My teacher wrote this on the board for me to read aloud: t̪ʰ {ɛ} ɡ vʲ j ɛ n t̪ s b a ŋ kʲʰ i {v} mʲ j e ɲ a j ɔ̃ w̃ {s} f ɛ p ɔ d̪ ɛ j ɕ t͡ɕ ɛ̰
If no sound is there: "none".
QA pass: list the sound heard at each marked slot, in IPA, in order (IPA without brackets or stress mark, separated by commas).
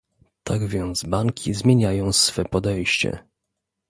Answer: a, z, s